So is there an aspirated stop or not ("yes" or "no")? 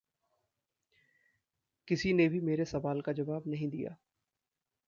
no